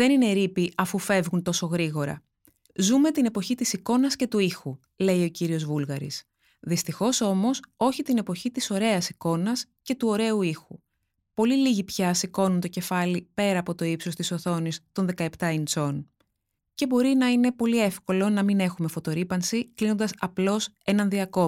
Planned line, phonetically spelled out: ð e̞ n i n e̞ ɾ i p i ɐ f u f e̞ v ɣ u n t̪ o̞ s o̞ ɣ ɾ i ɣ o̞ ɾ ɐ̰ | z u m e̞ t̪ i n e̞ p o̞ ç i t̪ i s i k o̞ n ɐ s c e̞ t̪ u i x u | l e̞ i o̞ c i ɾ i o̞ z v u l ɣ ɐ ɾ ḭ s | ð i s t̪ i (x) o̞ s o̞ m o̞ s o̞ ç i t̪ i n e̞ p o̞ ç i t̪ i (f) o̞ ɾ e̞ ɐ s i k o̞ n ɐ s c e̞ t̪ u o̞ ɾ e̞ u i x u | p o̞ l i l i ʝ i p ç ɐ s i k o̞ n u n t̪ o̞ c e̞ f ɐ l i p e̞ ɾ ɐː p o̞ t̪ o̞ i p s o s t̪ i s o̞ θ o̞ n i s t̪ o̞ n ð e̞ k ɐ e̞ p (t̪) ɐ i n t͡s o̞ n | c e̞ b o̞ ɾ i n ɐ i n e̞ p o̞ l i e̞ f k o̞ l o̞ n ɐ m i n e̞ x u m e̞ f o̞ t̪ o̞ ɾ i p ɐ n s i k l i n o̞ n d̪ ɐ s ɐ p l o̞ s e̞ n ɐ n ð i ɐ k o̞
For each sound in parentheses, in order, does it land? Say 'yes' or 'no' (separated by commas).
yes, no, yes